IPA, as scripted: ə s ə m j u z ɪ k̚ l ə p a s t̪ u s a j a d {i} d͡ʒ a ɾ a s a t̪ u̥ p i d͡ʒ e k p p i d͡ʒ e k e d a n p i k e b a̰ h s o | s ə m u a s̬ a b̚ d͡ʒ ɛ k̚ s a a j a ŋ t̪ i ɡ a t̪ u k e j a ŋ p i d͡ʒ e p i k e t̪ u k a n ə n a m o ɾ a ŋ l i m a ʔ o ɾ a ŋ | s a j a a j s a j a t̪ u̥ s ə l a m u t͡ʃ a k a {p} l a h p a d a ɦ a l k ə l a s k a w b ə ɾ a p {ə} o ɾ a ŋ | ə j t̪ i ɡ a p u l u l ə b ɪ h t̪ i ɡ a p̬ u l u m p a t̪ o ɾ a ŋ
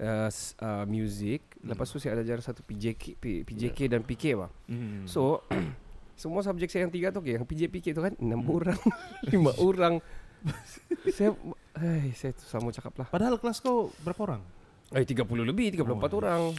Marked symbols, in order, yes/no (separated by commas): no, yes, no